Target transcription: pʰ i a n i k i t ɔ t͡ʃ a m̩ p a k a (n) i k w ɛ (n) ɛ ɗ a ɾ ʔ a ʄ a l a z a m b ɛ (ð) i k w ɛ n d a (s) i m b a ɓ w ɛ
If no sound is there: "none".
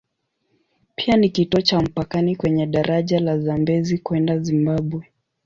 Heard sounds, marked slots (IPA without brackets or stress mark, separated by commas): n, ɲ, z, z